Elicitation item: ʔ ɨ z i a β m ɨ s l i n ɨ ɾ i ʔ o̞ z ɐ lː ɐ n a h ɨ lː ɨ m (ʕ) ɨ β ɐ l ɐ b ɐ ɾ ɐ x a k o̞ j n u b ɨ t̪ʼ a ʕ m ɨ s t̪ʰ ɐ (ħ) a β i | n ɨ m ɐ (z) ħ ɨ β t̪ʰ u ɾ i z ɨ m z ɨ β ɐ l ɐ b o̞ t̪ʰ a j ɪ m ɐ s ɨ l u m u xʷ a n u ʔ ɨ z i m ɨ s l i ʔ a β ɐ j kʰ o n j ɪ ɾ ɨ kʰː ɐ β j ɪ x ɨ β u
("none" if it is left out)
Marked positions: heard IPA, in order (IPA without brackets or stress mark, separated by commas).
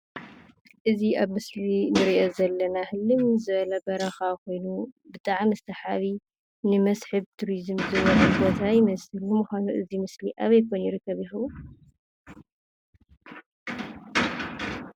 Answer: z, ħ, s